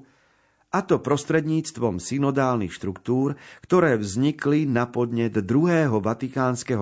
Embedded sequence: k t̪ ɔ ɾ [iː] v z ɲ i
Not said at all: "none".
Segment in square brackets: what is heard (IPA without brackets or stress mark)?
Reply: ɛː